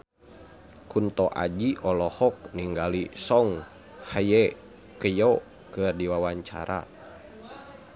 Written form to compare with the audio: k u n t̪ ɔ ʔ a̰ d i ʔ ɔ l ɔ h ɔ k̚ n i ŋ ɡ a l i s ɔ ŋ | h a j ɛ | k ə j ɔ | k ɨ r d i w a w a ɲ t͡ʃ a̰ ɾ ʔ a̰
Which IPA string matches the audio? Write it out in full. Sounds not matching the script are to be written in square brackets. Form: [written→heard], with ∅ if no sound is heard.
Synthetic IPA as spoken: k u n t̪ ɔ ʔ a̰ [d→d͡ʒ] i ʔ ɔ l ɔ h ɔ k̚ n i ŋ ɡ a l i s ɔ ŋ | h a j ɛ | k ə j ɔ | k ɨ r d i w a w a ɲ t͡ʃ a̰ ɾ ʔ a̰